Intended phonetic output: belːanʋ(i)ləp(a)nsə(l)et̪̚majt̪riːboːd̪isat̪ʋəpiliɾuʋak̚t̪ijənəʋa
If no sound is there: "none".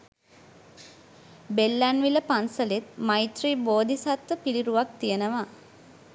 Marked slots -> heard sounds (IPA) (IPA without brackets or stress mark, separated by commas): i, a, l